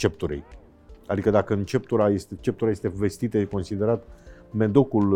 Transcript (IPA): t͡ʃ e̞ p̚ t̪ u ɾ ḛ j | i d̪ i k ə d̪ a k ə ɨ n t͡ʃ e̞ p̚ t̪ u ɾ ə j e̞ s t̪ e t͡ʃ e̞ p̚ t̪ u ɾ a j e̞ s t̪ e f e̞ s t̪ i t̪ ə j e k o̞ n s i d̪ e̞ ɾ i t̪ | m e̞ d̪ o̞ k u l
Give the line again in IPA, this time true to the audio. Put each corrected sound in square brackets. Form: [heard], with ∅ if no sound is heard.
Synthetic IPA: t͡ʃ e̞ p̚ t̪ u ɾ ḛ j | [a] d̪ i k ə d̪ a k ə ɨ n t͡ʃ e̞ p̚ t̪ u ɾ [a] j e̞ s t̪ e t͡ʃ e̞ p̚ t̪ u ɾ a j e̞ s t̪ e [v] e̞ s t̪ i t̪ ə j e k o̞ n s i d̪ e̞ ɾ [a] t̪ | m e̞ d̪ o̞ k u l